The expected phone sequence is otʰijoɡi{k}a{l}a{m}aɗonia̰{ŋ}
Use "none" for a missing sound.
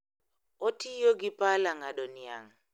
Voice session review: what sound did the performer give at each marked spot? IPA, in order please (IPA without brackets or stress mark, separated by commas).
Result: p, l, ŋ, ŋ